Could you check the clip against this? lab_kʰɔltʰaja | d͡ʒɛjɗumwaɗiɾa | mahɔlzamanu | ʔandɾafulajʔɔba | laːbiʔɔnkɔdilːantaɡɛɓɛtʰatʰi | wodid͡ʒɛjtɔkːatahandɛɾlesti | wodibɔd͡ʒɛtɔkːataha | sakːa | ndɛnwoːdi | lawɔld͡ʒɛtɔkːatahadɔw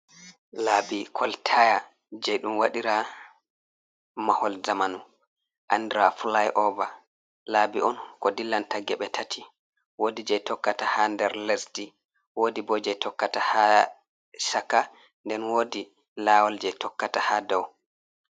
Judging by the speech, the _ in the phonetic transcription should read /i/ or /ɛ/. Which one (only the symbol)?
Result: i